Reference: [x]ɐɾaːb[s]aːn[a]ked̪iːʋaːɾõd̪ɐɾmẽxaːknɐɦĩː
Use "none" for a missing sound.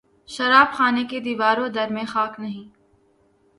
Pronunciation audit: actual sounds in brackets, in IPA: ʃ, x, e

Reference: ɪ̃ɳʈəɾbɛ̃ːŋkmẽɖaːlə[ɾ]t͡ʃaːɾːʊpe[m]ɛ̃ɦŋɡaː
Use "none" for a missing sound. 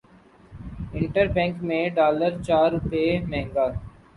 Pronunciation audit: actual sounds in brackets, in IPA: ɾ, m

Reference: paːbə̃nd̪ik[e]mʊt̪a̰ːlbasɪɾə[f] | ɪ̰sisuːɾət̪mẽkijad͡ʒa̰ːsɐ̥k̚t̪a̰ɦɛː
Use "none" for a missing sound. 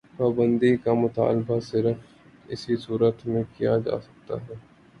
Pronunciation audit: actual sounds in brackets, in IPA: a, f

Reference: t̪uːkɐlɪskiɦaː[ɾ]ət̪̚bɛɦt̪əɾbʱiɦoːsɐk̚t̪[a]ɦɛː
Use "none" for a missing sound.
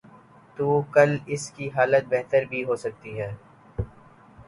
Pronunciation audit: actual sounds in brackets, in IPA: l, i

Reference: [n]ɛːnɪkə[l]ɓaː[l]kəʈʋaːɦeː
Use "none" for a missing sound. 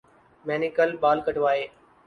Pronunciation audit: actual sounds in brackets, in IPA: m, l, l

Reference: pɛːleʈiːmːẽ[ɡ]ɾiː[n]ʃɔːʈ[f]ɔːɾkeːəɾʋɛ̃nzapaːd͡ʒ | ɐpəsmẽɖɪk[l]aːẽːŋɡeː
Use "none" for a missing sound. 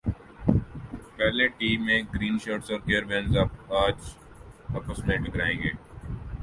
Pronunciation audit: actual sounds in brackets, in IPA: ɡ, n, s, ɾ

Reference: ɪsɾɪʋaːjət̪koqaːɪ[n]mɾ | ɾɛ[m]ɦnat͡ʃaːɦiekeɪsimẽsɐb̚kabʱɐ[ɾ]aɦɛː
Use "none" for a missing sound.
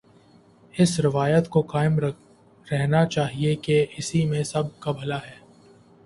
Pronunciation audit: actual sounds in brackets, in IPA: none, none, l

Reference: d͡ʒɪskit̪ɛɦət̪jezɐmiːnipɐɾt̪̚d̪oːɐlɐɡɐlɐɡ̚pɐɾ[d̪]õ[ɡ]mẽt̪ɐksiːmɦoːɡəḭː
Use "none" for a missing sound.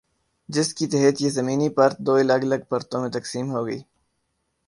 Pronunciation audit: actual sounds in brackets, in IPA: t̪, none

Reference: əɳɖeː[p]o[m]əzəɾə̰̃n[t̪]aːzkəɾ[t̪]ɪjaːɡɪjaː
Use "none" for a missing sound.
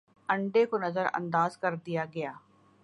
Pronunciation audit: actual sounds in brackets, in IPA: k, n, d̪, d̪

